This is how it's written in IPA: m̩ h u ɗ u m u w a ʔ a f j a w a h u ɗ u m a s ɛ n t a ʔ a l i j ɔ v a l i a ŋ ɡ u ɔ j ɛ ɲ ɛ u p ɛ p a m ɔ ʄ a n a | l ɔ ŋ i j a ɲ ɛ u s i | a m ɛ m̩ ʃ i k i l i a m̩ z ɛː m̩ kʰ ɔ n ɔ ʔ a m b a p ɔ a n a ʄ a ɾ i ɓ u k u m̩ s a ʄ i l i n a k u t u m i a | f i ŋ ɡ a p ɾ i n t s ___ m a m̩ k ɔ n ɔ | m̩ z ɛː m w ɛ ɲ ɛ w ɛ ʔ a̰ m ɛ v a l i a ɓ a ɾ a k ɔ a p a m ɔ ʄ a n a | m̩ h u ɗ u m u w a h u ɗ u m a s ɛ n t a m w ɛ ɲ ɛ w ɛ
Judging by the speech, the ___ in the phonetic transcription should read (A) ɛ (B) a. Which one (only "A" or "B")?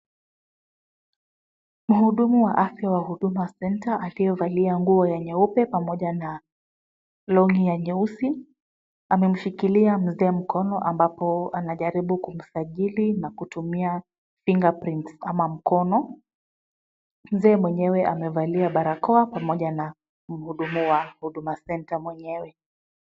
B